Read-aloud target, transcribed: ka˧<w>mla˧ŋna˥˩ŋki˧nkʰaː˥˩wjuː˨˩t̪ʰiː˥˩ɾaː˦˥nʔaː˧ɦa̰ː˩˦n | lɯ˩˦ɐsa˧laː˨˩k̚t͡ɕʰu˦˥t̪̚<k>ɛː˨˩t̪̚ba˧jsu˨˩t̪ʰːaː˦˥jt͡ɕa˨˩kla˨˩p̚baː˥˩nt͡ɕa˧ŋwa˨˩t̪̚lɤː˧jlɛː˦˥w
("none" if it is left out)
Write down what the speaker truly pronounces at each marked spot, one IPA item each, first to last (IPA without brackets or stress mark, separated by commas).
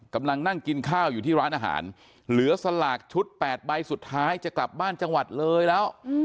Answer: none, p